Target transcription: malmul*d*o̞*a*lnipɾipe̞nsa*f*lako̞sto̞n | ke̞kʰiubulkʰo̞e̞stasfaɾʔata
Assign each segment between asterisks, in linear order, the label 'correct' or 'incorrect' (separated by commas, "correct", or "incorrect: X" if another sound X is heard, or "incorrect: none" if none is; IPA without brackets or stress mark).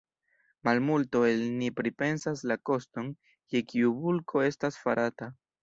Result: incorrect: t, incorrect: e, incorrect: s